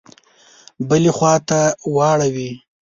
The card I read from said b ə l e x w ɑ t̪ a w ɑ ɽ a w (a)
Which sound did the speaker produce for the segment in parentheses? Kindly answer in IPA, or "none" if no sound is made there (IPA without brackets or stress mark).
i